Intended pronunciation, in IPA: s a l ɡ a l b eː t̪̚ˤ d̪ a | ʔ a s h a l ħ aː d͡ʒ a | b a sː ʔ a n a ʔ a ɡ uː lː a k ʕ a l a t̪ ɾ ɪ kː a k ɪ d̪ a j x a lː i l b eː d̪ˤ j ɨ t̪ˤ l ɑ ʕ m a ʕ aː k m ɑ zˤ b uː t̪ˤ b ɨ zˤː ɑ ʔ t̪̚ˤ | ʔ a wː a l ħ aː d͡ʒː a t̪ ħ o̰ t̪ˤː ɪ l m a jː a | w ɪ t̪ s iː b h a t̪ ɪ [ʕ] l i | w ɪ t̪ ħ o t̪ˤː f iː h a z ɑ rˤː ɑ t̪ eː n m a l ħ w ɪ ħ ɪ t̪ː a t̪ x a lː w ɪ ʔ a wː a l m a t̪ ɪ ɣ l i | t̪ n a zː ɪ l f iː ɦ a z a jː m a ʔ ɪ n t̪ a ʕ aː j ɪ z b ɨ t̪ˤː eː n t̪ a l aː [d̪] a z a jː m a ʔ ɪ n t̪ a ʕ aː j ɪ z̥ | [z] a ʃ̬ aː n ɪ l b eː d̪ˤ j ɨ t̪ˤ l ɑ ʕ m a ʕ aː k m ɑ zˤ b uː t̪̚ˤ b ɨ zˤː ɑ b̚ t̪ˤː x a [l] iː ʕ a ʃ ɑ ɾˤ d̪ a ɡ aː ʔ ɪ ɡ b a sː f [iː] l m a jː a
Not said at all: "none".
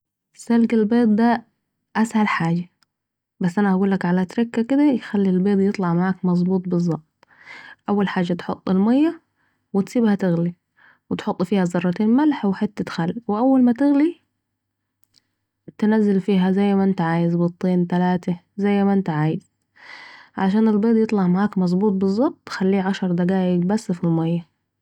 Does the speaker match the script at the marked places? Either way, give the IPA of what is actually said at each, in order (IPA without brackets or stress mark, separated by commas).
ɣ, t̪, ʕ, lː, i